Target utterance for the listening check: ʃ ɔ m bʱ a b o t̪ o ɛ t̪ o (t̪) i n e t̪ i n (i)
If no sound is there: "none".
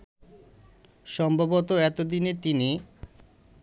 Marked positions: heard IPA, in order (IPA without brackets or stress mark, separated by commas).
d̪, i